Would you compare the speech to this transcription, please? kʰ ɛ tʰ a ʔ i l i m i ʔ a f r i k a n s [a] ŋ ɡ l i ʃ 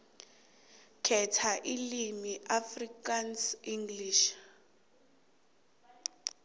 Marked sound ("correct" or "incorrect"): incorrect